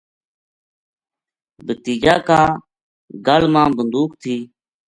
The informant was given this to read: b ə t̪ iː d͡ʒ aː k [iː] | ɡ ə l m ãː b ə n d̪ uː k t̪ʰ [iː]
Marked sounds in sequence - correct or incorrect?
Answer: incorrect: aː, correct

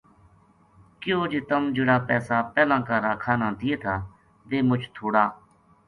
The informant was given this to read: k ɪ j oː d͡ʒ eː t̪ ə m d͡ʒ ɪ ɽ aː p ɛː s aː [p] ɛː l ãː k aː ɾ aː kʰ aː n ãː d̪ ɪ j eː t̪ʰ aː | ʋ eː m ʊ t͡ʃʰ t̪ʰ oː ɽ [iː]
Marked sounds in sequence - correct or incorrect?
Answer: correct, incorrect: aː

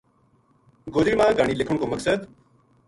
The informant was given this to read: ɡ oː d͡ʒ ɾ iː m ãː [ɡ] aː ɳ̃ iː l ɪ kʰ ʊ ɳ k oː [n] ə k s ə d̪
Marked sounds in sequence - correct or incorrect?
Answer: correct, incorrect: m

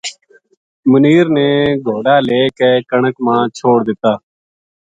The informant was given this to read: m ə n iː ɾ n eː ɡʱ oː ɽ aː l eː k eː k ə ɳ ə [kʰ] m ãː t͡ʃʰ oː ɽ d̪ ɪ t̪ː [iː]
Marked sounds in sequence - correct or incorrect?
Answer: incorrect: k, incorrect: aː

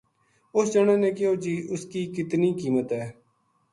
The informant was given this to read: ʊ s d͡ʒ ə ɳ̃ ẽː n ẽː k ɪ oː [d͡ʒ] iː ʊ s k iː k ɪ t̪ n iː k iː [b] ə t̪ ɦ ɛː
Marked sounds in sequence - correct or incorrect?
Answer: correct, incorrect: m

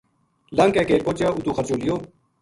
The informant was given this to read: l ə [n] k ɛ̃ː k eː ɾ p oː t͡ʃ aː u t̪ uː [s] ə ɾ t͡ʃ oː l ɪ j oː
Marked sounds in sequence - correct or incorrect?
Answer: incorrect: ŋ, incorrect: x

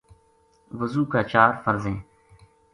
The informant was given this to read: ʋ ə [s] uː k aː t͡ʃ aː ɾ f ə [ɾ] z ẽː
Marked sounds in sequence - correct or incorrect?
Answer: incorrect: z, correct

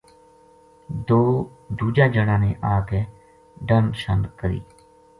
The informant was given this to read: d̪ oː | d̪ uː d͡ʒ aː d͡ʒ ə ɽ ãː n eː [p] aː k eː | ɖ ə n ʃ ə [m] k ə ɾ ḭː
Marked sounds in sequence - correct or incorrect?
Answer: incorrect: ʔ, incorrect: n

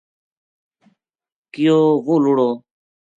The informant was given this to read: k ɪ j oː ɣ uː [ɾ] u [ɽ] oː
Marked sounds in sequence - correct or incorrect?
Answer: incorrect: l, correct

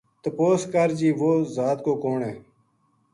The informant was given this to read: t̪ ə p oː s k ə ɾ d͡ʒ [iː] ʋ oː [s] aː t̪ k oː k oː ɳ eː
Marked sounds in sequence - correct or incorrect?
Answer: correct, incorrect: z

